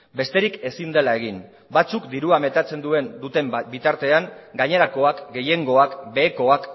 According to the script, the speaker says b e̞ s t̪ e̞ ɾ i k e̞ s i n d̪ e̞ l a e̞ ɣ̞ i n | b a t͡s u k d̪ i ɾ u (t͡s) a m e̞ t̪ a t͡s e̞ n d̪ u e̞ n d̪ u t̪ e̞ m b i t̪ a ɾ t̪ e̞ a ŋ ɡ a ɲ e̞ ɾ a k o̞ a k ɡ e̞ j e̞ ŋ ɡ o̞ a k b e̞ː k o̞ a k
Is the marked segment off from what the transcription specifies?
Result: yes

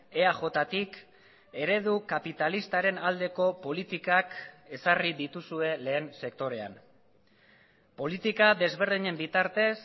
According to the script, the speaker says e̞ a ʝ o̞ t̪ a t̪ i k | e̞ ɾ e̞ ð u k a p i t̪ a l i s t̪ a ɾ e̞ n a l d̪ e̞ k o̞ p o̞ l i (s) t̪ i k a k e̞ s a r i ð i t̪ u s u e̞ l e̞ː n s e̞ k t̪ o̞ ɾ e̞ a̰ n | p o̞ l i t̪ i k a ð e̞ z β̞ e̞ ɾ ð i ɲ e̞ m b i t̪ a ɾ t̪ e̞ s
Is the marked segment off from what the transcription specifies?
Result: yes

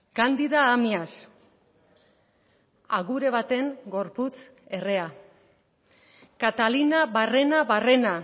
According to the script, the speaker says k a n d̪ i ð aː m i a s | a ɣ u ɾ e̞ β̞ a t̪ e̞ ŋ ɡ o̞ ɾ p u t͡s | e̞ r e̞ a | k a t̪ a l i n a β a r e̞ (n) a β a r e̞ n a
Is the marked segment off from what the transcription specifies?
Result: no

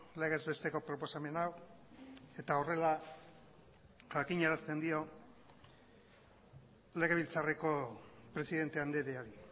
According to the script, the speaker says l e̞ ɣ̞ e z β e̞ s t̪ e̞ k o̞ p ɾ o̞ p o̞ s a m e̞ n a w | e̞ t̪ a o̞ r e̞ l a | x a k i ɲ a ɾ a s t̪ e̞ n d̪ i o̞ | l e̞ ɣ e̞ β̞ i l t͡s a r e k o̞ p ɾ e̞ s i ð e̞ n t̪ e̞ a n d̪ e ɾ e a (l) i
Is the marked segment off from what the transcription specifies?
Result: yes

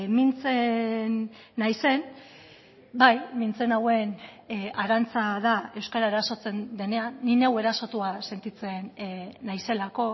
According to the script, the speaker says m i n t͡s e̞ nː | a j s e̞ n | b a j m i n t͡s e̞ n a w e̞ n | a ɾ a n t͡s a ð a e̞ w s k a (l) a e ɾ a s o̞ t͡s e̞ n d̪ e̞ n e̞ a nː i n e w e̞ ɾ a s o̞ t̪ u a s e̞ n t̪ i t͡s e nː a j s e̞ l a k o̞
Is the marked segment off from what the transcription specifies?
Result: yes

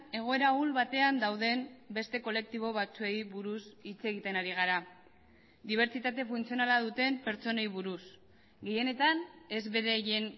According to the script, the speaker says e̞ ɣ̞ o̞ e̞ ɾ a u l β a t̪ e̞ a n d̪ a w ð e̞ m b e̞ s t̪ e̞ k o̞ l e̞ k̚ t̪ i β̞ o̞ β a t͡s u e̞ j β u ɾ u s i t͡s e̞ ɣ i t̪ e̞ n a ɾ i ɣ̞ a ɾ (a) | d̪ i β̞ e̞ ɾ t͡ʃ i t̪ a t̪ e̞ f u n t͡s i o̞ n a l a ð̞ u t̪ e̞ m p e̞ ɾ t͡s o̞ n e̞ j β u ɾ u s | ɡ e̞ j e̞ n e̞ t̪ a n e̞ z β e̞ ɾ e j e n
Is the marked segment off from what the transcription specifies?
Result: no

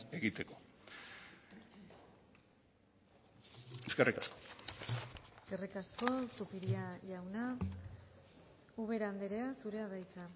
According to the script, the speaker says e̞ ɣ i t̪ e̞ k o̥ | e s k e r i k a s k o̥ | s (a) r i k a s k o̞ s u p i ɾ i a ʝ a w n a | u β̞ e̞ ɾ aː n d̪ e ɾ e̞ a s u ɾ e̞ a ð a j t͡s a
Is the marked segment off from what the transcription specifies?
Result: yes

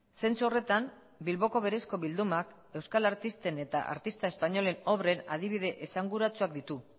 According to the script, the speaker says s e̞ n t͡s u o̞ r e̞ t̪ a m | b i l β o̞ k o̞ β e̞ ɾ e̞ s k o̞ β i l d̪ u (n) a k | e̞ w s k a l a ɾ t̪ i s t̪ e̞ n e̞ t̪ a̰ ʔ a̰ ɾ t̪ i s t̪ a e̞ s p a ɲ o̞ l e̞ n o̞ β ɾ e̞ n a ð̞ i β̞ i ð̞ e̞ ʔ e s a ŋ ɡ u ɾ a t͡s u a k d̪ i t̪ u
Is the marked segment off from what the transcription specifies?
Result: yes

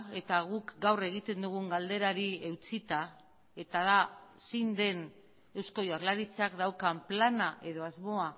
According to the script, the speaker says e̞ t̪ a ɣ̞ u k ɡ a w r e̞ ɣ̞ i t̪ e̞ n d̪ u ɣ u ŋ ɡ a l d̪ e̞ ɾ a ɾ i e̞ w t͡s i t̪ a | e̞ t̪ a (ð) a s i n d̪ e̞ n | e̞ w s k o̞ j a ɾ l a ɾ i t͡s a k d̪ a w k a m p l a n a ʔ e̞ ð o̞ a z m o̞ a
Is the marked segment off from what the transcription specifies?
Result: no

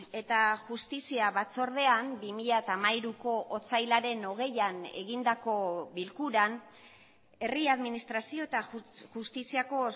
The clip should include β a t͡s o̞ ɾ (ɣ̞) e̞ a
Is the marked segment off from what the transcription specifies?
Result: yes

